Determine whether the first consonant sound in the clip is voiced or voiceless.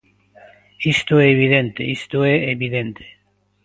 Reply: voiceless